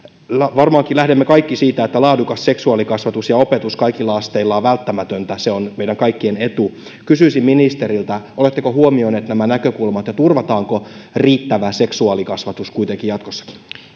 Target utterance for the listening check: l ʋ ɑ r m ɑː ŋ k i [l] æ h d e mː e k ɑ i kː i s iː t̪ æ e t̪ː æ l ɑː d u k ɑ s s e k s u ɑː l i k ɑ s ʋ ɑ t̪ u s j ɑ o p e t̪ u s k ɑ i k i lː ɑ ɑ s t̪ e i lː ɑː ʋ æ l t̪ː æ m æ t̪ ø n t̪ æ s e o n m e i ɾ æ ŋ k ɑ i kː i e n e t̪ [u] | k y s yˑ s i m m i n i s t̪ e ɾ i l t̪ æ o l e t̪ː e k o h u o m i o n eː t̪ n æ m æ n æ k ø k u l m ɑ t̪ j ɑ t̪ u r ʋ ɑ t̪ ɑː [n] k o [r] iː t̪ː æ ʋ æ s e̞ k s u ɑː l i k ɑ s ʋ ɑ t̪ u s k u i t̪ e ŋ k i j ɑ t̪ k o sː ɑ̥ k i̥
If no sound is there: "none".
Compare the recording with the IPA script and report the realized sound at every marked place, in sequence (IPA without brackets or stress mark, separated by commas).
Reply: l, u, ŋ, r